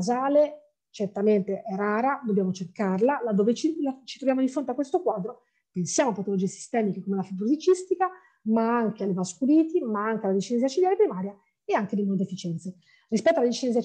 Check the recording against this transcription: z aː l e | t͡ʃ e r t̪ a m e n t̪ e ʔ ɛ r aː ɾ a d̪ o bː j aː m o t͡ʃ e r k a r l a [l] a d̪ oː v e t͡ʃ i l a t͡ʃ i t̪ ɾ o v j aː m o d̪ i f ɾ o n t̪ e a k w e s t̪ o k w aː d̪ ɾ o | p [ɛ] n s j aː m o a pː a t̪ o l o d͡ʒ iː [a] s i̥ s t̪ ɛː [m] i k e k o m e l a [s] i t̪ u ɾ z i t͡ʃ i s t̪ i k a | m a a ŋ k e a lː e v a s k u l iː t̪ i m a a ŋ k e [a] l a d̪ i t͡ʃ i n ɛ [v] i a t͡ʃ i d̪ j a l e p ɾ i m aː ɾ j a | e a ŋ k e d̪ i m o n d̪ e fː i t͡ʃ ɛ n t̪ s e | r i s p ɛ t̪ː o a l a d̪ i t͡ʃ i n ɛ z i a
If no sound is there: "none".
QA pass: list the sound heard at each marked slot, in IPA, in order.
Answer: l, e, e, m, f, a, z

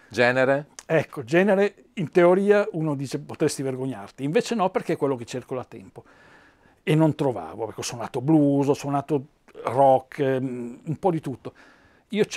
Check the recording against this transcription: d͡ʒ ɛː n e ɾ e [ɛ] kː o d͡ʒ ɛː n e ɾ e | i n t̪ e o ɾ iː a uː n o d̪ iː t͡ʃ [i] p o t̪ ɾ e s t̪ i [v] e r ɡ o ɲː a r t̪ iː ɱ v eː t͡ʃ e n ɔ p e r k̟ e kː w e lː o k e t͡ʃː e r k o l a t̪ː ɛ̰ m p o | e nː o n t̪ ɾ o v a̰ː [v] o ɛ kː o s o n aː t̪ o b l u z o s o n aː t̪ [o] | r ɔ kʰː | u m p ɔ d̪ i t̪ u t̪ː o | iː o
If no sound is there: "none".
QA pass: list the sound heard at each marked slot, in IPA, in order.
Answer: ɛ, e, v, v, o

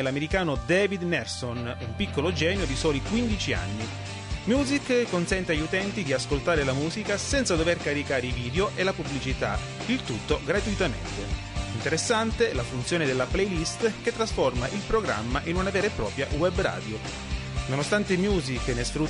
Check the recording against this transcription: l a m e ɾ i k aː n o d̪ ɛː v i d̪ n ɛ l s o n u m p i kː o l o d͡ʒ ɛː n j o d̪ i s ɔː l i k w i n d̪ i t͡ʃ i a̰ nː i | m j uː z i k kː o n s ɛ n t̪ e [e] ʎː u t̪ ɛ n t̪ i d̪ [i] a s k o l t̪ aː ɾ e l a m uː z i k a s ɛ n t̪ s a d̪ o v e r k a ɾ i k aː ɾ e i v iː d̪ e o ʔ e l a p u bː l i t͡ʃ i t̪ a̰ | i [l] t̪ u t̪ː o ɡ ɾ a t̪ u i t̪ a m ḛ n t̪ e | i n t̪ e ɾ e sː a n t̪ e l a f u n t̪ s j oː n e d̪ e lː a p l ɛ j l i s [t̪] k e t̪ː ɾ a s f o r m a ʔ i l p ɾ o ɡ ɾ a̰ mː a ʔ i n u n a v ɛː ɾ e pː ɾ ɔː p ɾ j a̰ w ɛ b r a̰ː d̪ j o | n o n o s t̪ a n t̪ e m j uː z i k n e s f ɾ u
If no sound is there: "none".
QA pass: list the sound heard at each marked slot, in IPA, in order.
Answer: a, i, l, t̪

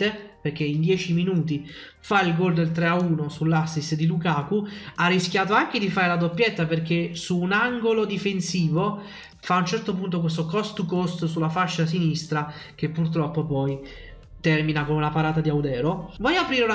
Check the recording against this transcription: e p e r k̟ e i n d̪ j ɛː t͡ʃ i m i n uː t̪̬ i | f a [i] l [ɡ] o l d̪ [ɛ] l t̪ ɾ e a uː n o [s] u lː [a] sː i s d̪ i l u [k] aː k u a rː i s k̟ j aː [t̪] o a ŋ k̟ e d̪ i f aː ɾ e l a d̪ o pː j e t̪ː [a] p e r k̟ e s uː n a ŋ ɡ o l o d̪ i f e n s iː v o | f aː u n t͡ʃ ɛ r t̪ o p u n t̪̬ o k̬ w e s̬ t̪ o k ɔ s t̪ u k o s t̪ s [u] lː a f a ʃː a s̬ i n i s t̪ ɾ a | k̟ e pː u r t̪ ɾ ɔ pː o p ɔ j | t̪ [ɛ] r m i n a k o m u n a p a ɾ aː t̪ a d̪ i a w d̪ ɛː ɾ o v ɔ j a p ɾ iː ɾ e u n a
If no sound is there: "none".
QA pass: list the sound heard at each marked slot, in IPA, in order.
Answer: i, ɡ, e, s, a, k, t̪, a, u, ɛ

